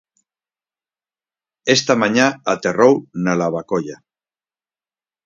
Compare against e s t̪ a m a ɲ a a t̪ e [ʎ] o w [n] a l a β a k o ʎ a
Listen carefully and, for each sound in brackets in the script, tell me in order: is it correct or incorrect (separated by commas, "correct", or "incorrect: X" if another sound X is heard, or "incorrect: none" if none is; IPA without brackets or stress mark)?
incorrect: r, correct